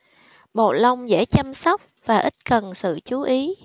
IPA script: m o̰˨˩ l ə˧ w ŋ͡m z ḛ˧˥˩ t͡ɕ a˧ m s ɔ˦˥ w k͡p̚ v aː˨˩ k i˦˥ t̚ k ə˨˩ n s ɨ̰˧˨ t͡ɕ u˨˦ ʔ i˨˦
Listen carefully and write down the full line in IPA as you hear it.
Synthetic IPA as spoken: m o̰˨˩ l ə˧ w ŋ͡m z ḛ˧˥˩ t͡ɕ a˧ m s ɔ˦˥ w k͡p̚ v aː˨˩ ʔ i˦˥ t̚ k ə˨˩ n s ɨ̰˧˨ t͡ɕ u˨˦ ʔ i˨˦